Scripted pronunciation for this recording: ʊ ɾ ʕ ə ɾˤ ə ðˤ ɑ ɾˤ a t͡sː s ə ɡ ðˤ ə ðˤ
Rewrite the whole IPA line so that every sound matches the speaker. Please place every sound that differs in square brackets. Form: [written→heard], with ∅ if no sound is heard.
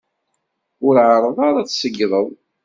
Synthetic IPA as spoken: ʊ ɾ ʕ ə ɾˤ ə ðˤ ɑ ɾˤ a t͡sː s ə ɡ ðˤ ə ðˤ